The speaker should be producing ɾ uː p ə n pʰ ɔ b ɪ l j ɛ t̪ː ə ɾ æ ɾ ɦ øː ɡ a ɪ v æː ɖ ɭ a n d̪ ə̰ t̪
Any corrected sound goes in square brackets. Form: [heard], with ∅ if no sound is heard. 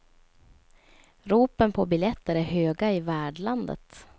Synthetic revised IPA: ɾ uː p ə n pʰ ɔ b ɪ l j ɛ t̪ː ə ɾ æ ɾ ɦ øː ɡ a ɪ v æː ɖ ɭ a n d̪ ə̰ t̪